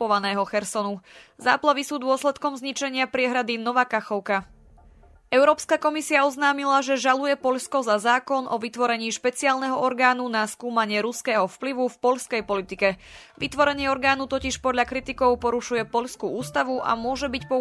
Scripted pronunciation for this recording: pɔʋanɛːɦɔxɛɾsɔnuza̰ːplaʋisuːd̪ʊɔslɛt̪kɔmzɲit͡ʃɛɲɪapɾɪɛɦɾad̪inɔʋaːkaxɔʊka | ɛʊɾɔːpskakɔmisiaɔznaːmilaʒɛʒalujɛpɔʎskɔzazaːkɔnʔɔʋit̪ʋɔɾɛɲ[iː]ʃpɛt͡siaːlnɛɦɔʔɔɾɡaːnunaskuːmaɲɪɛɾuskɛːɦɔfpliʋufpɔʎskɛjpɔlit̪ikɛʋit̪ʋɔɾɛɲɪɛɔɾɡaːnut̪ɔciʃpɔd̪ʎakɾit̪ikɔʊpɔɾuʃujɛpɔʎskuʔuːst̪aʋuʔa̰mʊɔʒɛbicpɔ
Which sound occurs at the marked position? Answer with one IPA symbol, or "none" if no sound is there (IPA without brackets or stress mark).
iː